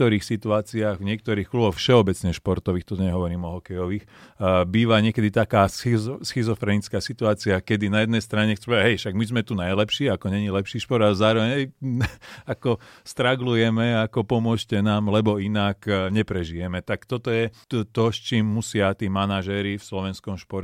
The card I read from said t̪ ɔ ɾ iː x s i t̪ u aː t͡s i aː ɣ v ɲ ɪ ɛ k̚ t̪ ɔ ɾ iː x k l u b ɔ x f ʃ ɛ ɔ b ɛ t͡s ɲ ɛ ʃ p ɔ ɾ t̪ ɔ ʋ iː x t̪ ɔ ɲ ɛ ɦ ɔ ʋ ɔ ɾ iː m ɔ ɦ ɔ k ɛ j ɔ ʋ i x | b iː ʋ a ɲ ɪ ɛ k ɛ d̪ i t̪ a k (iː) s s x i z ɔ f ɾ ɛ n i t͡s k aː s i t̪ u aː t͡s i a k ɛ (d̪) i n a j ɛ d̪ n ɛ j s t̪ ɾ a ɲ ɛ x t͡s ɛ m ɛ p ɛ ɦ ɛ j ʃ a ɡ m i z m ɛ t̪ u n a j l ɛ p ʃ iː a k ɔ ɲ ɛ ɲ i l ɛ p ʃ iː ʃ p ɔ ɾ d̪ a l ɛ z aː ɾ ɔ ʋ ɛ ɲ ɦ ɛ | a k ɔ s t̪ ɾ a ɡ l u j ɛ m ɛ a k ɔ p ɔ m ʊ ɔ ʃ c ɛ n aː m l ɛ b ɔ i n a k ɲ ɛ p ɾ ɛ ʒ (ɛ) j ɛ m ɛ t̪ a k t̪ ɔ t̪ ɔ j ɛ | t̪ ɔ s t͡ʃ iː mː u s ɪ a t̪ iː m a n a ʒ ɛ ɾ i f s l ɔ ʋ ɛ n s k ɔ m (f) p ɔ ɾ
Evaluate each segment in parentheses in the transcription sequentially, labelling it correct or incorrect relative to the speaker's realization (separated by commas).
incorrect, correct, incorrect, incorrect